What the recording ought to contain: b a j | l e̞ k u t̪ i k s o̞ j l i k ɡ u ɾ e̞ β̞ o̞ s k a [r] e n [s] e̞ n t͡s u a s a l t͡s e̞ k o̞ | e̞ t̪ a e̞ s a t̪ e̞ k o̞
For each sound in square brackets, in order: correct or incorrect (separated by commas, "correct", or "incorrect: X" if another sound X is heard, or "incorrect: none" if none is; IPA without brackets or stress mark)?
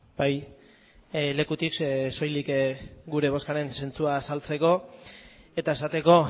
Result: incorrect: ɾ, correct